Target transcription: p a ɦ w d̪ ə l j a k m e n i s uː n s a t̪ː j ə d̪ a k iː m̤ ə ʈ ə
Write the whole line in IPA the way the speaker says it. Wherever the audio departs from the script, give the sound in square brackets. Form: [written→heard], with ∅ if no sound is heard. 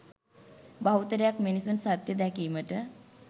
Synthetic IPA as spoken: [p→b] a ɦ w [d̪→t̪] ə [l→ɾ] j a k m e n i s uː n s a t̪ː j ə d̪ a k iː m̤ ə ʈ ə